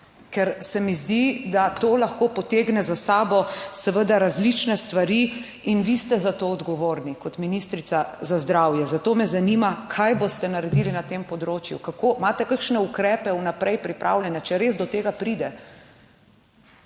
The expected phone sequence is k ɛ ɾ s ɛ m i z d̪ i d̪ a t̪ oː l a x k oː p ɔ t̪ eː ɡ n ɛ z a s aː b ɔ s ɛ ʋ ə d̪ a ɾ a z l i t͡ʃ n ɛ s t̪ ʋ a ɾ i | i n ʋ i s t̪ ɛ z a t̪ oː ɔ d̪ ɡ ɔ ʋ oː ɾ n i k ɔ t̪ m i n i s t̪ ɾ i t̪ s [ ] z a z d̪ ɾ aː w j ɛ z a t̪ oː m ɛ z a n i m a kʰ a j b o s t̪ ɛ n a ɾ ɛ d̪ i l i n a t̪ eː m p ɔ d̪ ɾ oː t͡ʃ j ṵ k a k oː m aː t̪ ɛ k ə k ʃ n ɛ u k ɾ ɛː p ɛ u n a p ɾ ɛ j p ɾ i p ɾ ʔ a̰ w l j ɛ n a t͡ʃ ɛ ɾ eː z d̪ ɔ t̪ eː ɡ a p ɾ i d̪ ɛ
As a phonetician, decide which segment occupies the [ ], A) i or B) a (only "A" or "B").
B